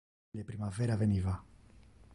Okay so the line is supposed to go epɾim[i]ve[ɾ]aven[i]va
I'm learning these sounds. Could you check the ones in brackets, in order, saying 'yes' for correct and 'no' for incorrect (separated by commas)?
no, yes, yes